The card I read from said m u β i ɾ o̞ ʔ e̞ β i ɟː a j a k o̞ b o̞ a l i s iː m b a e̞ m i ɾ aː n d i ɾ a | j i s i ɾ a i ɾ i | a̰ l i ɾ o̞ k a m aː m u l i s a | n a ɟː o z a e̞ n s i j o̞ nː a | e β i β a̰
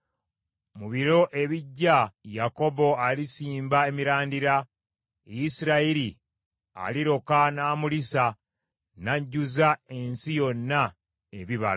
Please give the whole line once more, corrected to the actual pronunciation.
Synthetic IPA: m u β i ɾ o̞ ʔ e̞ β i ɟː a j a k o̞ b o̞ a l i s iː m b a e̞ m i ɾ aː n d i ɾ a | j i s i ɾ a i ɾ i | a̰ l i ɾ o̞ k a n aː m u l i s a | n a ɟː u z a e̞ n s i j o̞ nː a | e β i β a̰